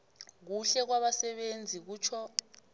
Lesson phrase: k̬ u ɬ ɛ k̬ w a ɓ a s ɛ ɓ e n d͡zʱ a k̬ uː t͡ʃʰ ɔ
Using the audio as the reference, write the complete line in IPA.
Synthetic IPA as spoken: k̬ u ɬ ɛ k̬ w a ɓ a s ɛ ɓ e n d͡zʱ i k̬ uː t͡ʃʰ ɔ